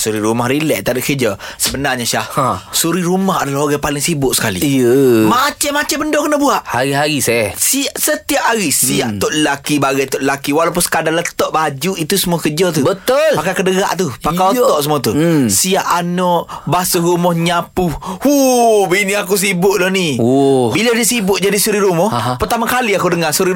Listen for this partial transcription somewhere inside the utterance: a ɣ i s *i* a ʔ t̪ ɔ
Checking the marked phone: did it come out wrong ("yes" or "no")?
no